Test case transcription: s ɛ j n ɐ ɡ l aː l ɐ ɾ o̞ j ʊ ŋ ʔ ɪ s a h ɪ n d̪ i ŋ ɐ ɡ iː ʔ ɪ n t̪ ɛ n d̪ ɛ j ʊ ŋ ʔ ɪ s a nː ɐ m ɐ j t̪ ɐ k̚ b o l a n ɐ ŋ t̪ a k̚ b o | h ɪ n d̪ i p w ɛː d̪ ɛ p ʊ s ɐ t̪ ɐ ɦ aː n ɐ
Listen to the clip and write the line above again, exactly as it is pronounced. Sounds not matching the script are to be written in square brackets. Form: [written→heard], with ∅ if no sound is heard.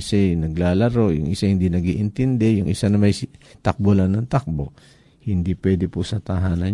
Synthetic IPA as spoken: s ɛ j n ɐ ɡ l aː l ɐ ɾ o̞ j ʊ ŋ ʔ ɪ s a h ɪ n d̪ i [ŋ→n] ɐ ɡ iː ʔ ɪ n t̪ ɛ n d̪ ɛ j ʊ ŋ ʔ ɪ s a [nː→n] ɐ m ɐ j t̪ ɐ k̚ b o l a n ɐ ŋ t̪ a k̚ b o | h ɪ n d̪ i p w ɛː d̪ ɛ p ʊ s ɐ t̪ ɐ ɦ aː n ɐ